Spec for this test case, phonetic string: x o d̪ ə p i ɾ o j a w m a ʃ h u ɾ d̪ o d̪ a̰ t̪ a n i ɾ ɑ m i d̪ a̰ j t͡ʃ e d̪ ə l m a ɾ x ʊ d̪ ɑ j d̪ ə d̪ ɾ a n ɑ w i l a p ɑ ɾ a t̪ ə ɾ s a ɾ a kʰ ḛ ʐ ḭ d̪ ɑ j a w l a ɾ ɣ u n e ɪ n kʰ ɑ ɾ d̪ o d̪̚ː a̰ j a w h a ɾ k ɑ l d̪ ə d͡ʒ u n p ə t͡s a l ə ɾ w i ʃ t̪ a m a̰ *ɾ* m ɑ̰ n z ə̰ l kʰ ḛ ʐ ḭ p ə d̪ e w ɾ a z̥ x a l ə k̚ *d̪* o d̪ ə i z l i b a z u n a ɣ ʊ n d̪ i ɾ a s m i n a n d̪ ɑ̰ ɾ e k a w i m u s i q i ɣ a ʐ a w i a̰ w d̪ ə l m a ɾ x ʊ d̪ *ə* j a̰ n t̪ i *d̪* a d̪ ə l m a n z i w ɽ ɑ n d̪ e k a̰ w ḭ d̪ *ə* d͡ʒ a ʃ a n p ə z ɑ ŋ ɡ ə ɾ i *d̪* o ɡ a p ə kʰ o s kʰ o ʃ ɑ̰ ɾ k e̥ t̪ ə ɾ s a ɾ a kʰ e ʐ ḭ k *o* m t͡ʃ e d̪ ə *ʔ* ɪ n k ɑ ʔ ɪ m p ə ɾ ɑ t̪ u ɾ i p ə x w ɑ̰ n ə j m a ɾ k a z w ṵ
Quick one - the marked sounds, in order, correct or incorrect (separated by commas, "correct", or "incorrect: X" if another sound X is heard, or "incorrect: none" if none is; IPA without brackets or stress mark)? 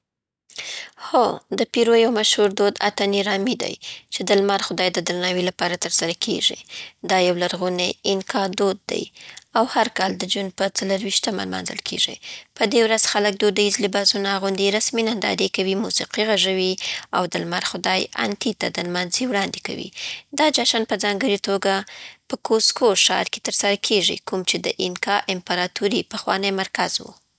incorrect: l, correct, incorrect: ɑ, incorrect: t̪, incorrect: ɑ, incorrect: t̪, incorrect: u, correct